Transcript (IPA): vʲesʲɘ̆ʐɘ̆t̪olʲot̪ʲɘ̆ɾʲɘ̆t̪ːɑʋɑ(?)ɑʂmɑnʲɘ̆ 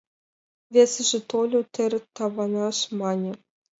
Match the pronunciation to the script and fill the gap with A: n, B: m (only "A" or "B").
A